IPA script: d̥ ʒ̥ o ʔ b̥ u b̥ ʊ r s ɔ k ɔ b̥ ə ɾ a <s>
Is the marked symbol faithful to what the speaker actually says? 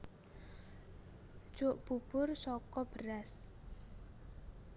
yes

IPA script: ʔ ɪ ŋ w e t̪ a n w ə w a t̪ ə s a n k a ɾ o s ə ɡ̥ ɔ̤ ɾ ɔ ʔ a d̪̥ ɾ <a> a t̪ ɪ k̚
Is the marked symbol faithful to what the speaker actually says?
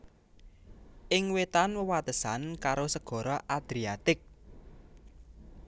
no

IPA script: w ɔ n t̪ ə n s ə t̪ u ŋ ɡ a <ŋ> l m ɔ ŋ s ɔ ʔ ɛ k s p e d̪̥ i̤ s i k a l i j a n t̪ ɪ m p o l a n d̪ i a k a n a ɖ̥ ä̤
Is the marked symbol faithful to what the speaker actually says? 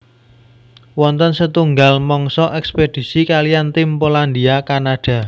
no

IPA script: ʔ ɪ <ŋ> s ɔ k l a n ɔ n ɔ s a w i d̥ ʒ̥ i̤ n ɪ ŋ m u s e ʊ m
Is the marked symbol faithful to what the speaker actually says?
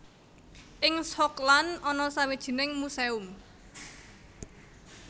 yes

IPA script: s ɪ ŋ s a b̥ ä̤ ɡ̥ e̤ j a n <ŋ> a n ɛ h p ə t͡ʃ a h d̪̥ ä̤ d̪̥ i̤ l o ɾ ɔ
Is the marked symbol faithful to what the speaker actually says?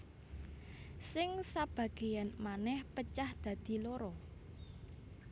no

